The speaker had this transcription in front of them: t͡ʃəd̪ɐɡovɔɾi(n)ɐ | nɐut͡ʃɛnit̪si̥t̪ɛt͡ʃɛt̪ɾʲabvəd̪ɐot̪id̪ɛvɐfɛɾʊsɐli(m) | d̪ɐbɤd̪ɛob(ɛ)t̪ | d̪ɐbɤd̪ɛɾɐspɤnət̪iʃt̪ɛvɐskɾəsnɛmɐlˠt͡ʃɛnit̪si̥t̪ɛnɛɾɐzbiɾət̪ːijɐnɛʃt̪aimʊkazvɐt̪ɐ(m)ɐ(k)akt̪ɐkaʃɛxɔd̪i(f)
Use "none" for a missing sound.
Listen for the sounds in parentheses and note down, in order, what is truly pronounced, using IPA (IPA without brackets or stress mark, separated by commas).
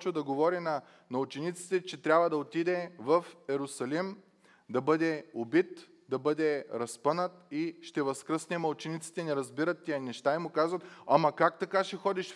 n, m, i, m, k, ʃ